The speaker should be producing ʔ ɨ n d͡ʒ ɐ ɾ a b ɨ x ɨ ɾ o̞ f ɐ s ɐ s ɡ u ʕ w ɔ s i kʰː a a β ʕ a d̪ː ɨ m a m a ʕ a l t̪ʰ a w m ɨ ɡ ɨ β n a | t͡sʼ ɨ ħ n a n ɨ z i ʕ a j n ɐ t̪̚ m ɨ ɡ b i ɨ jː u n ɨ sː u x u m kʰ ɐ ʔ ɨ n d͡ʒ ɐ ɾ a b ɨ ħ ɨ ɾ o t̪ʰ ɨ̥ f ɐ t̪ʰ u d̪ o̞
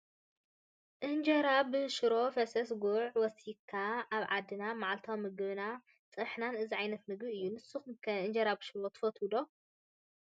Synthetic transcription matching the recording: ʔ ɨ n d͡ʒ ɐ ɾ a b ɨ ʃ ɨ ɾ o̞ f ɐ s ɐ s ɡ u ʕ w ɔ s i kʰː a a β ʕ a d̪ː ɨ n a m a ʕ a l t̪ʰ a w m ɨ ɡ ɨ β n a | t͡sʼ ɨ ħ n a n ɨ z i ʕ a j n ɐ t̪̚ m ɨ ɡ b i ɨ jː u n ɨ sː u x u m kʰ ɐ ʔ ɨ n d͡ʒ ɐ ɾ a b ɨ ʃ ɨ ɾ o t̪ʰ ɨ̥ f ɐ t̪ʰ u d̪ o̞